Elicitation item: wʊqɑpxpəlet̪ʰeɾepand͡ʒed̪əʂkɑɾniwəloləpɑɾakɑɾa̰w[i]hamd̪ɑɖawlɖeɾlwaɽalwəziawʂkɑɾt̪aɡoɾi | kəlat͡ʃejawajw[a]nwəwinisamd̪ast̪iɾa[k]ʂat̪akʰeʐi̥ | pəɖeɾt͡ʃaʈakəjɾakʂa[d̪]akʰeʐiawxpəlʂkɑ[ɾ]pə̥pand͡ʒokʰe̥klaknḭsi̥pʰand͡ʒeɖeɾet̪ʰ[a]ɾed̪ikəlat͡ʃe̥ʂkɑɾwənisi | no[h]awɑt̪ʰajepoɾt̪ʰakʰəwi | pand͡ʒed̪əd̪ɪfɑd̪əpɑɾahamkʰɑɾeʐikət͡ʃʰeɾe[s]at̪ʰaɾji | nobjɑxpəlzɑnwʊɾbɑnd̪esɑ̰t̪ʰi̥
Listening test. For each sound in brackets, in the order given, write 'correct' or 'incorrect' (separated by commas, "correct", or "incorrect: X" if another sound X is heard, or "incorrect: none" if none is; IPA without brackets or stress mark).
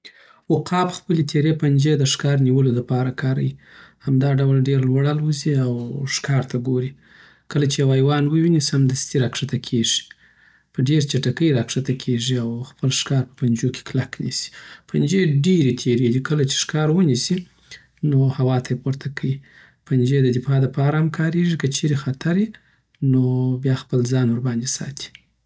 correct, incorrect: ɑ, correct, incorrect: t̪, correct, incorrect: e, correct, incorrect: x